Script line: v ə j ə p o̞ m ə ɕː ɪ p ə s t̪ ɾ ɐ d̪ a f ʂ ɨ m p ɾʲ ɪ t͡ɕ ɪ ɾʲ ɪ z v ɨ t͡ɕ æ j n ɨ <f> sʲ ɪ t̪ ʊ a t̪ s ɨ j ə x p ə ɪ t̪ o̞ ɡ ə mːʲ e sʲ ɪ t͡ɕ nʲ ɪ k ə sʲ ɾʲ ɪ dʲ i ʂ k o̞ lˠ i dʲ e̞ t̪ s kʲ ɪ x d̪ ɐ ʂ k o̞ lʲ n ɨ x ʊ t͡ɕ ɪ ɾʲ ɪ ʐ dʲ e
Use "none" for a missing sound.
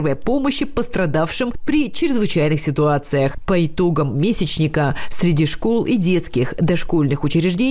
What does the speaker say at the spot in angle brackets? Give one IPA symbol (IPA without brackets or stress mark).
x